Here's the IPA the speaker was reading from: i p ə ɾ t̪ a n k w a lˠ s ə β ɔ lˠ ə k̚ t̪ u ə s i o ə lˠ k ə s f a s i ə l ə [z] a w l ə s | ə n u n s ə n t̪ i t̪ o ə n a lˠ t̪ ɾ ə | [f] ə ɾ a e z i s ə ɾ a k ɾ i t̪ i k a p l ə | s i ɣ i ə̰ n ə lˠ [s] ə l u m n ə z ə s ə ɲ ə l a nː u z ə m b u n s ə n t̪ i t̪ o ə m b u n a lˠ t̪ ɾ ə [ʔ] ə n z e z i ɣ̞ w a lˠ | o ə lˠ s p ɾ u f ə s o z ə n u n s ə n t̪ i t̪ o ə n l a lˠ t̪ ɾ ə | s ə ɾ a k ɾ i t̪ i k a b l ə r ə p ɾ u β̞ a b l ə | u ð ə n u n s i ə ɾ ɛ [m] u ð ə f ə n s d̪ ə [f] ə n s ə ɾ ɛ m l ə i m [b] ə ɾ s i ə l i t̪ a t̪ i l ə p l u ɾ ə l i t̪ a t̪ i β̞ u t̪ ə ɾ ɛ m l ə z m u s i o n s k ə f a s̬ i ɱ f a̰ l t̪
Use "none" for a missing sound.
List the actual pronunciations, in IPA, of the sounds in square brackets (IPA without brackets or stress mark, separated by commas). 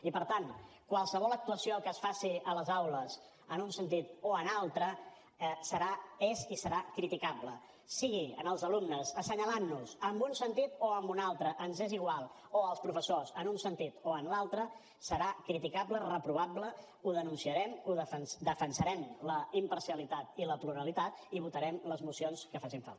z, s, z, ʔ, m, f, p